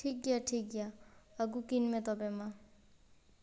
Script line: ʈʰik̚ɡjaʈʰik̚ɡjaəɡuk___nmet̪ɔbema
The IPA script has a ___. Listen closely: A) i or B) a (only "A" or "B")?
A